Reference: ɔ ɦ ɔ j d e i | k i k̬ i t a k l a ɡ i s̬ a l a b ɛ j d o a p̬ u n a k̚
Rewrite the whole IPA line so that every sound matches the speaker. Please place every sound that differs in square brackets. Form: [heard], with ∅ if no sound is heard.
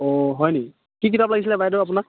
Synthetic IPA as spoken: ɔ ɦ ɔ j [n] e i | k i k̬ i t a [p] l a ɡ i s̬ [i] l [ɛ] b [a] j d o a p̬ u n a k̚